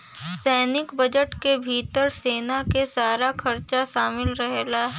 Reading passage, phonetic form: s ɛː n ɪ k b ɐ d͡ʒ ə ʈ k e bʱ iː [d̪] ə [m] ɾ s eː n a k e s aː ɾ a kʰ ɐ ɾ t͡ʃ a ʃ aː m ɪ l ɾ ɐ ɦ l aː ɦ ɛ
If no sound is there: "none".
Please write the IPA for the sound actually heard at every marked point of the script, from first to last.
t̪, none

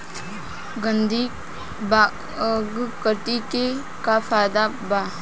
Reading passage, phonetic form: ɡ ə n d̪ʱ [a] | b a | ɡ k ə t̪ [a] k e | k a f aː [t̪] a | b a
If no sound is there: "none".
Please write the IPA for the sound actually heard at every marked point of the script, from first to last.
i, i, d̪

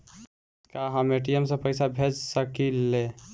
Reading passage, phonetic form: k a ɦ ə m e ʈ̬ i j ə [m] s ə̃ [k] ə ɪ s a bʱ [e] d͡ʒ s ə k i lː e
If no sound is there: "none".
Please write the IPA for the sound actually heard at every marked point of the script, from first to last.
m, p, e

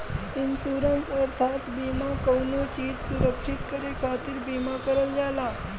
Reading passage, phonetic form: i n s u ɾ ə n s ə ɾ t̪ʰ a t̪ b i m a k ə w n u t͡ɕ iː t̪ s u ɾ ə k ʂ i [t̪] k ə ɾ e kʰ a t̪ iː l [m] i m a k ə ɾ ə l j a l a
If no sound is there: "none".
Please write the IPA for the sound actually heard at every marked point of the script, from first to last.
t̪, b

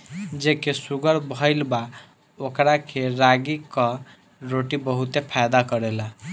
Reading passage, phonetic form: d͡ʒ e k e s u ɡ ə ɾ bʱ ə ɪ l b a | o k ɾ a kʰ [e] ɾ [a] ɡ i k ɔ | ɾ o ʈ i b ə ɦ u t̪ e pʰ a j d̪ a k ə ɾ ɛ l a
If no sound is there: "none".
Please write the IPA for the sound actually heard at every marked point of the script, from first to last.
e, a

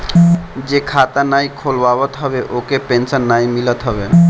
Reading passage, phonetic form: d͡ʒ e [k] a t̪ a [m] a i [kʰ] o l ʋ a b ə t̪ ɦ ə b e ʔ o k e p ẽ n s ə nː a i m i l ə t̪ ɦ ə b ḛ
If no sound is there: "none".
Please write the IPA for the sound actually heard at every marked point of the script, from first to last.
kʰ, n, kʰ

